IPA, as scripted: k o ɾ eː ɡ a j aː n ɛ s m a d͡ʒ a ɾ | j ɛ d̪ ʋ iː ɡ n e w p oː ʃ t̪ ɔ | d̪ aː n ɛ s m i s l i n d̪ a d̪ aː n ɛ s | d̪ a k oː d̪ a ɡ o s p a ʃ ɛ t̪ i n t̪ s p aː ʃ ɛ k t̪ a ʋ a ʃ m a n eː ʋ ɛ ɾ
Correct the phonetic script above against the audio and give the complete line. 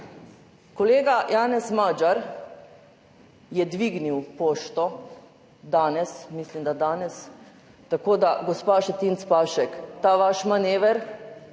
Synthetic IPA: k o l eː ɡ a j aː n ɛ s m a d͡ʒ a ɾ | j ɛ d̪ ʋ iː ɡ n i w p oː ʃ t̪ ɔ | d̪ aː n ɛ s m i s l i m d̪ a d̪ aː n ɛ s | t̪ a k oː d̪ a ɡ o s p a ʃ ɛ t̪ i n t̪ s p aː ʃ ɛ k t̪ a ʋ a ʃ m a n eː ʋ ɛ ɾ